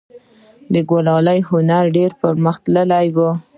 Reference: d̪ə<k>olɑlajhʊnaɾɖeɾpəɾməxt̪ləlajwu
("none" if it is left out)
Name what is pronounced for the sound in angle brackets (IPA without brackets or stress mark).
ɡ